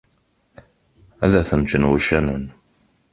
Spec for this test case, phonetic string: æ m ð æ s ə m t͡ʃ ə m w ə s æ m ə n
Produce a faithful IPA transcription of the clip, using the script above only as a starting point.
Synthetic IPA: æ ð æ θ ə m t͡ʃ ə n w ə ʃ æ n ə n